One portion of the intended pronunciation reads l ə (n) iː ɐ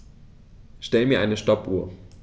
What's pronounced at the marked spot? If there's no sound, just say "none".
m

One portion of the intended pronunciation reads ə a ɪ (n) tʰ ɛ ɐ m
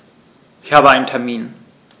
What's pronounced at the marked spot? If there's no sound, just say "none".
n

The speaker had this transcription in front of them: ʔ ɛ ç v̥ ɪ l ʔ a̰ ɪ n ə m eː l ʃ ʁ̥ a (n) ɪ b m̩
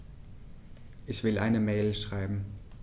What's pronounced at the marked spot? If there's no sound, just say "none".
none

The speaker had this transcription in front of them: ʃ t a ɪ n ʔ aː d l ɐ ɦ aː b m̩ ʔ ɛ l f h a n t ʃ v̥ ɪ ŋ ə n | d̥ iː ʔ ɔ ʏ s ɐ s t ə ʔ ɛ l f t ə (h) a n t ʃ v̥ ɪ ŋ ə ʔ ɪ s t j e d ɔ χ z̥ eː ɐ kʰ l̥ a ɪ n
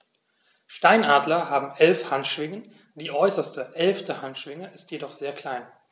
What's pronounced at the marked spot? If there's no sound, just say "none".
h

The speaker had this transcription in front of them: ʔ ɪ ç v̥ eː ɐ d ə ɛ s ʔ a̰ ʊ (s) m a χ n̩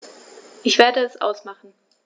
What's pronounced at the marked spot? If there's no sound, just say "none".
s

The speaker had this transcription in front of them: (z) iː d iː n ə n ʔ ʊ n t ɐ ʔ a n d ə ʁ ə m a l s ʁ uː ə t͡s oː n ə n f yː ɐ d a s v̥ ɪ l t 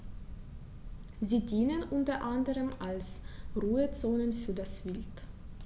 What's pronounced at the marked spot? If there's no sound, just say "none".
z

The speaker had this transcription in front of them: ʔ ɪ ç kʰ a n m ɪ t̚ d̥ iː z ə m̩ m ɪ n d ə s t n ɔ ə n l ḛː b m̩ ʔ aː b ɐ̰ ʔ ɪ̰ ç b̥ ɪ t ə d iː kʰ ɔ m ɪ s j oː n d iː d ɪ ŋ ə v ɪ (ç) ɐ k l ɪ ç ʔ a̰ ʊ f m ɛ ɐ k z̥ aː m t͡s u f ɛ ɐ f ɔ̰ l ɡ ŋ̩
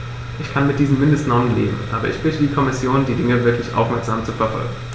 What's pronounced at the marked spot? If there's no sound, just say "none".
none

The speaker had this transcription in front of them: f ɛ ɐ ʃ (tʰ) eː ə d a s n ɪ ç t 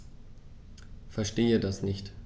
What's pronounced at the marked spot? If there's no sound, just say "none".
t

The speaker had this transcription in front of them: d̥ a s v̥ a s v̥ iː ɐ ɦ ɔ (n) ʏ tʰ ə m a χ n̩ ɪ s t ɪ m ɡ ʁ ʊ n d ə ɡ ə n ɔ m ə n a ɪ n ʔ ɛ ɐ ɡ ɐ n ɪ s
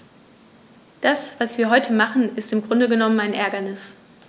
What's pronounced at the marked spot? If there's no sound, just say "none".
none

